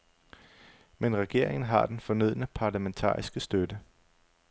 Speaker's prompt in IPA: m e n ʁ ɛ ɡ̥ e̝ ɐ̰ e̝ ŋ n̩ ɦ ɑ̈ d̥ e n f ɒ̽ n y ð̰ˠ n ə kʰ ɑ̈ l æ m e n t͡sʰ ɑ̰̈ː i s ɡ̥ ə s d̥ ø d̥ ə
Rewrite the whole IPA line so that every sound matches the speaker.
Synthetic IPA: m e n ʁ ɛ ɡ̥ e̝ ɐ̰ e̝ ŋ n̩ ɦ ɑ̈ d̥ e n f ɒ̽ n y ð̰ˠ n ə pʰ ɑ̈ l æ m e n t͡sʰ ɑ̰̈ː i s ɡ̥ ə s d̥ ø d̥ ə